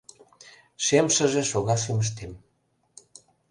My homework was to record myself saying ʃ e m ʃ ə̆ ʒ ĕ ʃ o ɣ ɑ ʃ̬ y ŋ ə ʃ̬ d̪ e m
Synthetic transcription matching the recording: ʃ e m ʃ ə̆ ʒ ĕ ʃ o ɣ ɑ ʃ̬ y m ə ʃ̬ t̪ e m